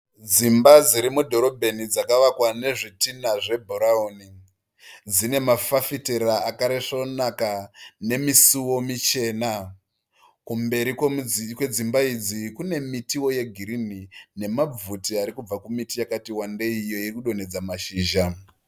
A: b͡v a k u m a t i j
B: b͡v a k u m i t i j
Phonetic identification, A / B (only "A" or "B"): B